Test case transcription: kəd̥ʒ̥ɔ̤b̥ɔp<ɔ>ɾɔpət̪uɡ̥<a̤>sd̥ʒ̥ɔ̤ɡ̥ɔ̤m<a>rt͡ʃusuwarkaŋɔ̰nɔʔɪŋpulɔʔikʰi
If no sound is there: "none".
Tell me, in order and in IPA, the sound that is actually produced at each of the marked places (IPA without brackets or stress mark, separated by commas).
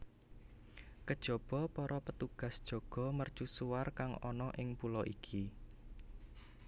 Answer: ɔ, a̤, ə